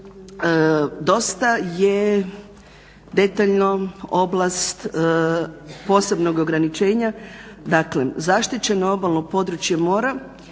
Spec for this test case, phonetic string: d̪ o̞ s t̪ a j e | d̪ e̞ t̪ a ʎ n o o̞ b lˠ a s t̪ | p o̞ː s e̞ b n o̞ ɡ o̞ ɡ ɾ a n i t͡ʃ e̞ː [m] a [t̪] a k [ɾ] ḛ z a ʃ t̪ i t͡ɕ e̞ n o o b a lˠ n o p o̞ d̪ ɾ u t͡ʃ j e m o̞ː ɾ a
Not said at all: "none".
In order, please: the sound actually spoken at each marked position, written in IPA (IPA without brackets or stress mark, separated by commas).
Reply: ɲ, d̪, l